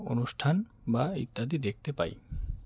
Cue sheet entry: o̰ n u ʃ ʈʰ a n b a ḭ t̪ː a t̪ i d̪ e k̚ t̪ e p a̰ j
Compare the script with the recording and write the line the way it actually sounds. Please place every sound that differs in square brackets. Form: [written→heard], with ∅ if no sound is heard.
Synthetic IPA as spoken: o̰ n u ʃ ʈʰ a n b a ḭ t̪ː a [t̪→d̪] i d̪ e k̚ t̪ e p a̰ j